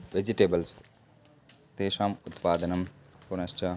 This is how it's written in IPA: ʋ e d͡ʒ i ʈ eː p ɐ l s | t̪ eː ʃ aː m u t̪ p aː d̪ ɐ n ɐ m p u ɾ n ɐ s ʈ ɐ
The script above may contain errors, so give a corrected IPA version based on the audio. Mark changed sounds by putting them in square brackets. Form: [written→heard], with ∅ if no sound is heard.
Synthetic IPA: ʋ e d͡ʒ i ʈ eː [p→b] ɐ l s | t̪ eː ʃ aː m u t̪ p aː d̪ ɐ n ɐ m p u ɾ n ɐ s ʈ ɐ

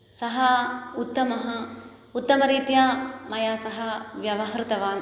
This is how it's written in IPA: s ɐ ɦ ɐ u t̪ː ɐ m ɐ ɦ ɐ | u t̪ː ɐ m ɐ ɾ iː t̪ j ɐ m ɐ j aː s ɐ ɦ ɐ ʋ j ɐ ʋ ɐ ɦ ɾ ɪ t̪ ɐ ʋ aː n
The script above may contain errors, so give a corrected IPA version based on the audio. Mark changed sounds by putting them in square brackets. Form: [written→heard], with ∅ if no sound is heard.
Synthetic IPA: s ɐ ɦ ɐ u t̪ː ɐ m ɐ ɦ ɐ | u t̪ː ɐ m ɐ ɾ iː t̪ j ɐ m ɐ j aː s ɐ ɦ ɐ ʋ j ɐ ʋ ɐ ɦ ɾ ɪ t̪ ɐ ʋ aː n

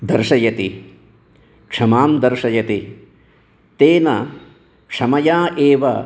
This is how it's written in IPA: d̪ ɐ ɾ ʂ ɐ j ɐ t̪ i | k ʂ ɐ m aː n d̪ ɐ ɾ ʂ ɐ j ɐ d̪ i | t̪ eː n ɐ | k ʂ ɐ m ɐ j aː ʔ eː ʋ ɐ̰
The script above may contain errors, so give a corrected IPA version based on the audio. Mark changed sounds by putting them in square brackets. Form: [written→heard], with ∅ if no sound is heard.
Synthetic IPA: d̪ ɐ ɾ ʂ ɐ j ɐ t̪ i | k ʂ ɐ m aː [n→m] d̪ ɐ ɾ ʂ ɐ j ɐ [d̪→t̪] i | t̪ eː n ɐ | k ʂ ɐ m ɐ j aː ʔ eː ʋ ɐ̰

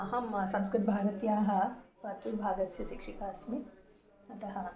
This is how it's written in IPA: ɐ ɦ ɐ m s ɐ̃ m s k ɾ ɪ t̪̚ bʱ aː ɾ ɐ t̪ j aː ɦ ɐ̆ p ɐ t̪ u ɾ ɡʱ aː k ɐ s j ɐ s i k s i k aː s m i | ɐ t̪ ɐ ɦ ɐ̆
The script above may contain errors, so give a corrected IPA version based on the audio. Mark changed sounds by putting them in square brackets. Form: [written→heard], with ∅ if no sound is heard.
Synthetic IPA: ɐ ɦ ɐ m s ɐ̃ m s k ɾ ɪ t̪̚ bʱ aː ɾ ɐ t̪ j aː ɦ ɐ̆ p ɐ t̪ u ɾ [ɡʱ→bʱ] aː [k→ɡ] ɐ s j ɐ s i k [s→ʂ] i k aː s m i | ɐ t̪ ɐ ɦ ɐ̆

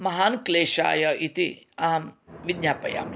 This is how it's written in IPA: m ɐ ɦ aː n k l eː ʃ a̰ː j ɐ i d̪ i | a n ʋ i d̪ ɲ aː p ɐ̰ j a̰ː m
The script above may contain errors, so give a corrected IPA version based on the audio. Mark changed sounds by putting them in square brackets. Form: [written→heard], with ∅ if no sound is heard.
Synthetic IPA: m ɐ ɦ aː n k l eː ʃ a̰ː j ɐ i [d̪→t̪] i | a [n→m] ʋ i d̪ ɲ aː p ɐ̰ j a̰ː m

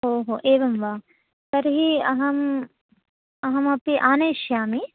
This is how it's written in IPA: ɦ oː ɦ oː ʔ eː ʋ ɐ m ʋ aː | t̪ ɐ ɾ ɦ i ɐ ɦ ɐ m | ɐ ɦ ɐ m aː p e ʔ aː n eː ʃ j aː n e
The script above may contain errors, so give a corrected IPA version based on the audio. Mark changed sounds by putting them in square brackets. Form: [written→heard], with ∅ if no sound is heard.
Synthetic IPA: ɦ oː ɦ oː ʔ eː ʋ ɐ m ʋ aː | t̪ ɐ ɾ ɦ i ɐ ɦ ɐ m | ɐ ɦ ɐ m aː p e ʔ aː n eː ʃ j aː [n→m] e

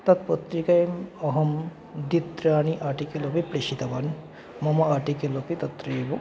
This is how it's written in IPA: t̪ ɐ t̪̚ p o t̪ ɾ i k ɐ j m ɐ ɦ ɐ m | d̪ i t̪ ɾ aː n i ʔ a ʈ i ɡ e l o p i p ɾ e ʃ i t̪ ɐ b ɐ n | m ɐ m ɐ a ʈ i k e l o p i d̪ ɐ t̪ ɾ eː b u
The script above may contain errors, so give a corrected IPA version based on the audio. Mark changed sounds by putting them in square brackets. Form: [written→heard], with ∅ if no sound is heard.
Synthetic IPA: t̪ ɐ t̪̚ p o t̪ ɾ i k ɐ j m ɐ ɦ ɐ m | d̪ i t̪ ɾ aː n i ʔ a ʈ i [ɡ→k] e l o p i p ɾ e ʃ i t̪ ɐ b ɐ n | m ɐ m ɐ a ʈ i k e l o p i [d̪→t̪] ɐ t̪ ɾ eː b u

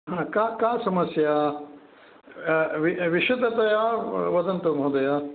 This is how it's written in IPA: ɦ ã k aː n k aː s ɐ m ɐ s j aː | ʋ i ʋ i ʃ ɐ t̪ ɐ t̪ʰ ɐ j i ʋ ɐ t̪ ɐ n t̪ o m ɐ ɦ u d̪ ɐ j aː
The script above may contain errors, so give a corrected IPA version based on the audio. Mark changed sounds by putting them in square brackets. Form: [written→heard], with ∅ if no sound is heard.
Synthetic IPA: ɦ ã k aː [n→∅] k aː s ɐ m ɐ s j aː | ʋ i ʋ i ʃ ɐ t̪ ɐ [t̪ʰ→t̪] ɐ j [i→a] ʋ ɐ [t̪→d̪] ɐ n t̪ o m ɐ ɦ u d̪ ɐ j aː

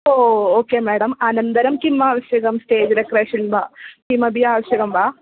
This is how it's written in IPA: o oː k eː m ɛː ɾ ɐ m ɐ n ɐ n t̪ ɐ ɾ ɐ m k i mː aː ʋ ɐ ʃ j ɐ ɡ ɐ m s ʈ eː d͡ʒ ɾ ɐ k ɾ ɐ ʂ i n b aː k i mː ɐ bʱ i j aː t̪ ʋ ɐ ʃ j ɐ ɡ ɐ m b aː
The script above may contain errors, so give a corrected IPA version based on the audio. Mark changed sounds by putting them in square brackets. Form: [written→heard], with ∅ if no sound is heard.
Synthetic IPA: o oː k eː m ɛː [ɾ→ɽ] ɐ m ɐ n ɐ n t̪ ɐ ɾ ɐ m k i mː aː ʋ ɐ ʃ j ɐ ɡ ɐ m s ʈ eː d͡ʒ ɾ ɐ k ɾ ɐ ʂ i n b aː k i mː ɐ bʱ i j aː [t̪→∅] ʋ ɐ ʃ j ɐ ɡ ɐ m b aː

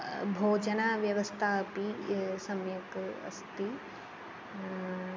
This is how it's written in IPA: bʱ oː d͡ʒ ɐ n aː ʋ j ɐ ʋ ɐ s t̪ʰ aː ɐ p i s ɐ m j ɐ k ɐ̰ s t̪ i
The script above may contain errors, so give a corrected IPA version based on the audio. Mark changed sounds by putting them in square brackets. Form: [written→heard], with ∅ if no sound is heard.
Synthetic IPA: bʱ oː d͡ʒ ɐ n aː ʋ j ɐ ʋ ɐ s t̪ʰ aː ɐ p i s ɐ m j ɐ k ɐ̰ s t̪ i

